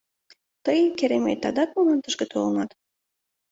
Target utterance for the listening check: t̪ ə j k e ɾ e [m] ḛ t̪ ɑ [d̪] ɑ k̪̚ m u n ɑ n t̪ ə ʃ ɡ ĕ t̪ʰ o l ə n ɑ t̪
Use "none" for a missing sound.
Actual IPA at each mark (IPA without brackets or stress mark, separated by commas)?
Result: m, d̪